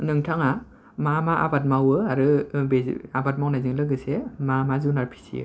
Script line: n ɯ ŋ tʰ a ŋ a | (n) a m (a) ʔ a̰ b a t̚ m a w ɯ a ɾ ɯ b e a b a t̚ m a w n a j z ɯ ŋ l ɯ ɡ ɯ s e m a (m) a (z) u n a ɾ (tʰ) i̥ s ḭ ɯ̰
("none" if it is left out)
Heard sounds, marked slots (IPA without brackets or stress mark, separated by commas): m, a, m, z, pʰ